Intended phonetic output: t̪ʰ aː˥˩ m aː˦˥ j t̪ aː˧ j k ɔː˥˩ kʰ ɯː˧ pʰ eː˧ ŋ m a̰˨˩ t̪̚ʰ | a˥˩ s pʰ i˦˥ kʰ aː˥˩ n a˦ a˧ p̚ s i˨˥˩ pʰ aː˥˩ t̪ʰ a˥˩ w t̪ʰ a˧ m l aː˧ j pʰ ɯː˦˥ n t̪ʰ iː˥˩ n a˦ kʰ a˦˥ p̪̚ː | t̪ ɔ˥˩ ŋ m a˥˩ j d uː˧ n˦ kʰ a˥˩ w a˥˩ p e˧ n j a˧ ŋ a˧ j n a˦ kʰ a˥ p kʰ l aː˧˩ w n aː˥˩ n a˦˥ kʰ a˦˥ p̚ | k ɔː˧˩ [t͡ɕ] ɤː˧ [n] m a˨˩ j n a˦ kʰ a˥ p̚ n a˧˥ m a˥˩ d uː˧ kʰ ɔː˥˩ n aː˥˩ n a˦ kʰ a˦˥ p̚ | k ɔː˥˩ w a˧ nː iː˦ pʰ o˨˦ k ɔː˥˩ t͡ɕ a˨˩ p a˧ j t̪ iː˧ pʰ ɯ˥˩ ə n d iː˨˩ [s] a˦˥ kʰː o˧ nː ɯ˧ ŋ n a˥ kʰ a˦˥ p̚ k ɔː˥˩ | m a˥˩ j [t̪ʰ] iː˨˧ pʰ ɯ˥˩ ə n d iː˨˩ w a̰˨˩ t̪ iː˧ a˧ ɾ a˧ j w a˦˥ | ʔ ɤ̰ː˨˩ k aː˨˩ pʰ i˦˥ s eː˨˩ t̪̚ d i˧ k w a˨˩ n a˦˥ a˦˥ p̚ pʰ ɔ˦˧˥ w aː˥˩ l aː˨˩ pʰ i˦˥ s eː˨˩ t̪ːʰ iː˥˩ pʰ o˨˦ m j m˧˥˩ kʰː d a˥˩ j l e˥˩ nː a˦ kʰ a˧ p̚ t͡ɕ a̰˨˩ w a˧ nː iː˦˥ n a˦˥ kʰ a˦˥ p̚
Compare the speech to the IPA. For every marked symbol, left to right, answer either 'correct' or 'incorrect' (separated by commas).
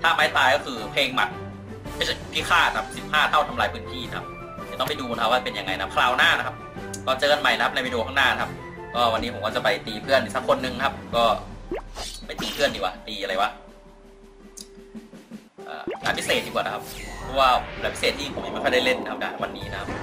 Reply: correct, correct, correct, incorrect